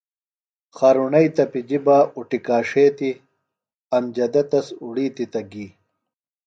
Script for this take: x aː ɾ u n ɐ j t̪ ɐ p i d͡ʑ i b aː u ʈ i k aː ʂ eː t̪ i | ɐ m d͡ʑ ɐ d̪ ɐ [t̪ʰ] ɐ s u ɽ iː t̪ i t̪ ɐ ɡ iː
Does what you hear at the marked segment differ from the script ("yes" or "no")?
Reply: yes